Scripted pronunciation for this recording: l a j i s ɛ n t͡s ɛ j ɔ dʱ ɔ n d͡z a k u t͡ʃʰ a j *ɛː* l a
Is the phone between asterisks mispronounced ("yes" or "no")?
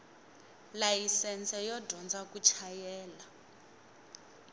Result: no